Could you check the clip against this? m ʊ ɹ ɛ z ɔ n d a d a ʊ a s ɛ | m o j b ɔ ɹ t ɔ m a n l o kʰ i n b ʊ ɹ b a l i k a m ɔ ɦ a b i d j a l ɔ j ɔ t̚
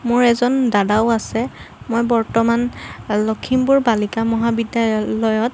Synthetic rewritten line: m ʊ ɹ ɛ z ɔ n d a d a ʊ a s ɛ | m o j b ɔ ɹ t ɔ m a n l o kʰ i m b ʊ ɹ b a l i k a m ɔ ɦ a b i d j a l ɔ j ɔ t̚